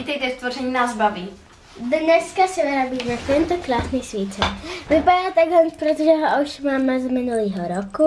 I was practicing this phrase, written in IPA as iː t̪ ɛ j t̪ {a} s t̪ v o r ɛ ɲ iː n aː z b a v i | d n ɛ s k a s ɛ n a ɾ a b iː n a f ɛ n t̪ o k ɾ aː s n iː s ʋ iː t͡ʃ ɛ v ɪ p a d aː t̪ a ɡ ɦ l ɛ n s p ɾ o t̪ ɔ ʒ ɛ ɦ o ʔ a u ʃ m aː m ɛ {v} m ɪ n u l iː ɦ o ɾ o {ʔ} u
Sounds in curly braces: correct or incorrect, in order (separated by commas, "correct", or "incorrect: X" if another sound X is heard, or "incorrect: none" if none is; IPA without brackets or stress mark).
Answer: incorrect: ɛ, incorrect: z, incorrect: k